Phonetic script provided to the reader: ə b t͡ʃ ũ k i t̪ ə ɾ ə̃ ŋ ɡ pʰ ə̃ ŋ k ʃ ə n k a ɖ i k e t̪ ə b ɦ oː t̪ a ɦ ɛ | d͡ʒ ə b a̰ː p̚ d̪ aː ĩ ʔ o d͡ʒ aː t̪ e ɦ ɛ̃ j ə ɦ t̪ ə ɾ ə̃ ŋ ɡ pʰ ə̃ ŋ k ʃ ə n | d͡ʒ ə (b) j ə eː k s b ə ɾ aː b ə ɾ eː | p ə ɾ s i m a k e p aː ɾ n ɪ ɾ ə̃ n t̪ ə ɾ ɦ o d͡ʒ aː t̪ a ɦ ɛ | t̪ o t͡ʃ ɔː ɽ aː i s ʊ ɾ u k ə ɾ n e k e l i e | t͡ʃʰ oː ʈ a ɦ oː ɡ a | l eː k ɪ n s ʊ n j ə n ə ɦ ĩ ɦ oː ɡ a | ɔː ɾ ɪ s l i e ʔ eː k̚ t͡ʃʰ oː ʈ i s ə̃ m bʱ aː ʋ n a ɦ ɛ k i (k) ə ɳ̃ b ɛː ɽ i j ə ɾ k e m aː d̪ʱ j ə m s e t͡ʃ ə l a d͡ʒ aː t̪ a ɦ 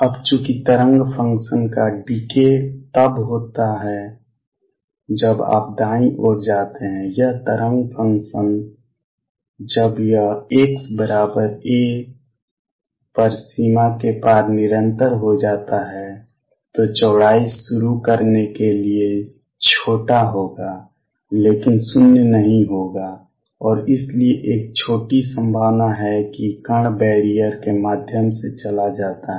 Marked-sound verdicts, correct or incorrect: correct, correct

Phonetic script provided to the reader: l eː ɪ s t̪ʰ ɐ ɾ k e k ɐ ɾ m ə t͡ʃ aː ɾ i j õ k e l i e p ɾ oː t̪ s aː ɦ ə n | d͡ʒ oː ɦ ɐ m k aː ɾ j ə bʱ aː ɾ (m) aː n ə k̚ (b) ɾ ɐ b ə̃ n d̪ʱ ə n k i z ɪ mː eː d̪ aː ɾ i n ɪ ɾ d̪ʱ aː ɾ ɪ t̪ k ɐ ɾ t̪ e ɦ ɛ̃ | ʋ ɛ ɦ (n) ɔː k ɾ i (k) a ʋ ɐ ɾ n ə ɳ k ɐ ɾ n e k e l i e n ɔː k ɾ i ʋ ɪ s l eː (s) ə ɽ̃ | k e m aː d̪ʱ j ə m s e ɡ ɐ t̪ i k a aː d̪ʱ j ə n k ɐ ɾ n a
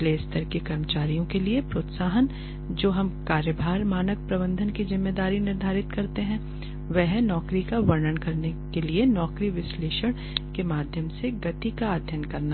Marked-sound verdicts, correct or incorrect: correct, incorrect: p, correct, correct, incorrect: ʃ

